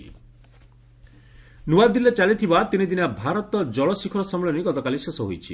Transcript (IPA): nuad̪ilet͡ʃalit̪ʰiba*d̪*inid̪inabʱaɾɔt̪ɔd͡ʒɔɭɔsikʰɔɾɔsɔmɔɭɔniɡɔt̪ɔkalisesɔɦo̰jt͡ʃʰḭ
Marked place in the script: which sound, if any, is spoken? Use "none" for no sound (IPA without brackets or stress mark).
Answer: t̪